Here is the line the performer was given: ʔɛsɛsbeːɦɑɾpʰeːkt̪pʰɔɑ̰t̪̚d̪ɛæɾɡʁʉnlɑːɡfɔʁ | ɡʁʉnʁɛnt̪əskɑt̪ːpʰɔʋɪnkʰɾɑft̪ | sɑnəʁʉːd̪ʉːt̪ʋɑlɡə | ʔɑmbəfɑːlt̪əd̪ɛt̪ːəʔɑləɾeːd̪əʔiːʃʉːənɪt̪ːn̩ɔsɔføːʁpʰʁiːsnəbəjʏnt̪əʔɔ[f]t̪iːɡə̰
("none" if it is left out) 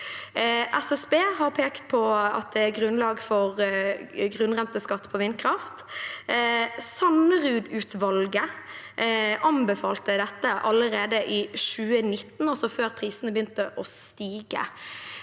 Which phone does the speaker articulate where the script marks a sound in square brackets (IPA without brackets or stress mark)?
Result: s